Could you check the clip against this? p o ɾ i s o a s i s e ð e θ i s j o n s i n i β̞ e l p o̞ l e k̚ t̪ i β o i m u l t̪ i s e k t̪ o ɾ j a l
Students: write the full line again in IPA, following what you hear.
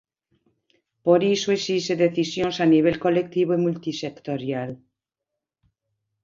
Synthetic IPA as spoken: p o ɾ i s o e s i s e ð e θ i s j o n s a n i β̞ e l k o̞ l e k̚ t̪ i β o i m u l t̪ i s e k t̪ o ɾ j a l